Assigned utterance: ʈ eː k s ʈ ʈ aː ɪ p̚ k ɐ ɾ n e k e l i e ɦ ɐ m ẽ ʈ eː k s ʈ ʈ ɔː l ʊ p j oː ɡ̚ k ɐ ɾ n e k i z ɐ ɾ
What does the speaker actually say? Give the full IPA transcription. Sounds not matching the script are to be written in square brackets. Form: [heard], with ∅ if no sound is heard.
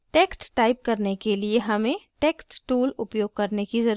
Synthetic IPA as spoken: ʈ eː k s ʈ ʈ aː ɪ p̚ k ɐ ɾ n e k e l i e ɦ ɐ m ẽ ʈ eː k s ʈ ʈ [uː] l ʊ p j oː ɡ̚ k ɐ ɾ n e k i z ɐ ɾ